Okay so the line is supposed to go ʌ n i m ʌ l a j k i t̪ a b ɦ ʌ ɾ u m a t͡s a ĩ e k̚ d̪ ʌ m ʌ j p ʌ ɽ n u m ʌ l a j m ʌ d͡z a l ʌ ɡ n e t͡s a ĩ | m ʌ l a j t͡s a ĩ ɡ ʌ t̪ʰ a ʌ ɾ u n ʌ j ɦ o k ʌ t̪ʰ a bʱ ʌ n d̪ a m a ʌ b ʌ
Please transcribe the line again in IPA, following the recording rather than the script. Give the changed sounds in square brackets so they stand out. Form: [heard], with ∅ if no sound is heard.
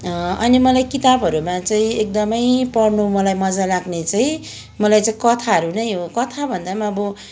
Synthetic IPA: ʌ n i m ʌ l a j k i t̪ a b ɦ ʌ ɾ u m a t͡s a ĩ e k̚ d̪ ʌ m ʌ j p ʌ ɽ n u m ʌ l a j m ʌ d͡z a l [a] ɡ n e t͡s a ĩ | m ʌ l a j t͡s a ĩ [k] ʌ t̪ʰ a ʌ ɾ u n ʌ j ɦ o k ʌ t̪ʰ a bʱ ʌ n d̪ a m a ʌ b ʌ